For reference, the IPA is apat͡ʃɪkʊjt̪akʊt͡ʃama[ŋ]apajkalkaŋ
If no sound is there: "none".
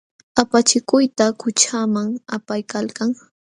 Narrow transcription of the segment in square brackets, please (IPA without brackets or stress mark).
ŋ